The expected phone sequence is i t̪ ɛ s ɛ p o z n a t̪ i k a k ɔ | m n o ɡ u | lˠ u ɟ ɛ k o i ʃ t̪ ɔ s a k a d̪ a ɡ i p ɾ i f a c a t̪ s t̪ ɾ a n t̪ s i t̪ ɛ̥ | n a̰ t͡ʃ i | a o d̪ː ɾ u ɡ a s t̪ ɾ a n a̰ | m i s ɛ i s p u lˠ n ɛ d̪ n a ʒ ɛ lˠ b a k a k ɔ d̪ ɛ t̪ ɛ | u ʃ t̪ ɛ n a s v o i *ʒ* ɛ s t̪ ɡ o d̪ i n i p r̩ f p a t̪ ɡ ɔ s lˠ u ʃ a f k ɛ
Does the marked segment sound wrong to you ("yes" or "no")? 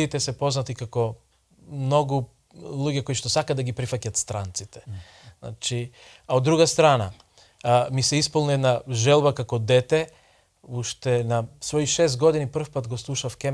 yes